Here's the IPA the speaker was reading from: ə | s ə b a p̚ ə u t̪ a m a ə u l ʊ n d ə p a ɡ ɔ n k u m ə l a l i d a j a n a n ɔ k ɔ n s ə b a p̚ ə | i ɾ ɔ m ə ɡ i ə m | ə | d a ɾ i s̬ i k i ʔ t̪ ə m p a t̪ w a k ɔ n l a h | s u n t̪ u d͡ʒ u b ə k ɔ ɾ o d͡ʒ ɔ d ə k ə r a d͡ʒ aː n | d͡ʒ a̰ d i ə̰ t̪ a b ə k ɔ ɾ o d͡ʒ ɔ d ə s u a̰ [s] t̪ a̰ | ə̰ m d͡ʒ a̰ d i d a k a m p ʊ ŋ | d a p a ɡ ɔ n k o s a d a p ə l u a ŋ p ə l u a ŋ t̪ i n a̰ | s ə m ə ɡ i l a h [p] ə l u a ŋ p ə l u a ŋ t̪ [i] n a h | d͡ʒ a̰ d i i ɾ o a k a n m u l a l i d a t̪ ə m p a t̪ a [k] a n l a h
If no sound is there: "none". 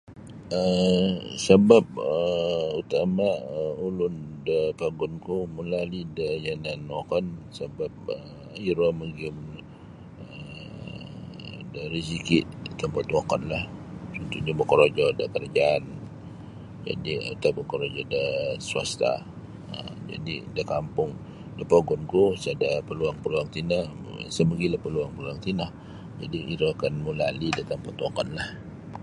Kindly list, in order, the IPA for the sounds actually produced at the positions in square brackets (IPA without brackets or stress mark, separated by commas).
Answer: s, p, i, k